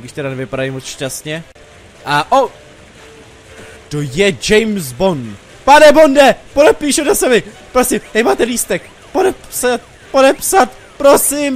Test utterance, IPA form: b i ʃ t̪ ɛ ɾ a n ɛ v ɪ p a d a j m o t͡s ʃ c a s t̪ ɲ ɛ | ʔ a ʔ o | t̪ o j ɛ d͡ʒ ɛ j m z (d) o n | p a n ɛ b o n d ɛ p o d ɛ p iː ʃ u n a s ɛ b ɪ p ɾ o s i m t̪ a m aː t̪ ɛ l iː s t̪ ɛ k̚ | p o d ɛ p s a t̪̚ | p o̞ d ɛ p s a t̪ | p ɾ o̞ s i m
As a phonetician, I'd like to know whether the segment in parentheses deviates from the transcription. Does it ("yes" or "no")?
yes